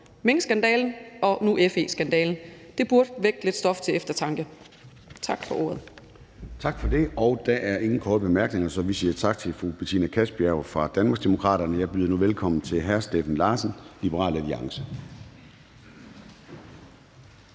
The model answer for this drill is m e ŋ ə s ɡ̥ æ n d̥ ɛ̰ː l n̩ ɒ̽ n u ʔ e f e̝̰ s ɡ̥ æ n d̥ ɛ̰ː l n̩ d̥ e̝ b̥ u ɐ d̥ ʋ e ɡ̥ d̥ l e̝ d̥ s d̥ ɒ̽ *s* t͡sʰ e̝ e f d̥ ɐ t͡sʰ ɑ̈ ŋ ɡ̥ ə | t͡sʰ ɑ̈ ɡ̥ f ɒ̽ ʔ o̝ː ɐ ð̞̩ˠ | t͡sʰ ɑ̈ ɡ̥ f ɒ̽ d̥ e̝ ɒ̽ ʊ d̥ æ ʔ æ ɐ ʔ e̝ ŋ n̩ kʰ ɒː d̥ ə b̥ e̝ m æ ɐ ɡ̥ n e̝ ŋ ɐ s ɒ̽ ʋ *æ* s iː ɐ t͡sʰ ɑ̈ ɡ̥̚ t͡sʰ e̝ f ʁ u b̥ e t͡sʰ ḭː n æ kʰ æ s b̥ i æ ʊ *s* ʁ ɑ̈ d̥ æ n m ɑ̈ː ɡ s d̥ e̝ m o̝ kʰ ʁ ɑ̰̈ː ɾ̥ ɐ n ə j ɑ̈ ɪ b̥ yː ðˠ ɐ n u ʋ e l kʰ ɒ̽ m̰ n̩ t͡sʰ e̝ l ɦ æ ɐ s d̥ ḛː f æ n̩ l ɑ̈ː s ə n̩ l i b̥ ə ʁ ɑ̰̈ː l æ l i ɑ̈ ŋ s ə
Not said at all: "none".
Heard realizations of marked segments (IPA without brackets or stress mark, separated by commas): f, i, f